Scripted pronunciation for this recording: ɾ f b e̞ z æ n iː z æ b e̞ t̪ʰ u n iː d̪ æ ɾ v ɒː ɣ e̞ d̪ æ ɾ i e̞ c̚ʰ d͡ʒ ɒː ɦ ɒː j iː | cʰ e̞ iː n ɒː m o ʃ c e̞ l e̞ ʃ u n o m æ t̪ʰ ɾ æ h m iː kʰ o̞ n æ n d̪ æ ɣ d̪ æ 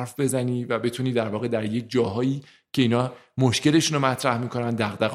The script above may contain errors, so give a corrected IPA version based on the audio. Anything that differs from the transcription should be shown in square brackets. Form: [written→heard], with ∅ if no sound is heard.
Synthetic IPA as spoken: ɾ f b e̞ z æ n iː [z→v] æ b e̞ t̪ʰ u n iː d̪ æ ɾ v ɒː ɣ e̞ d̪ æ ɾ [i→j] e̞ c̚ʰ d͡ʒ ɒː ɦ ɒː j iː | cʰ e̞ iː n ɒː m o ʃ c e̞ l e̞ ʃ u n o m æ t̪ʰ ɾ æ h m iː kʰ o̞ n æ n d̪ æ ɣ d̪ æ